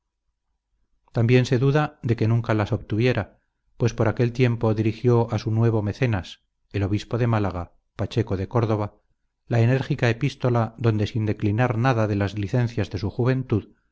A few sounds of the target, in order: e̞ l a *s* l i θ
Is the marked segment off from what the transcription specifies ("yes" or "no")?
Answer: yes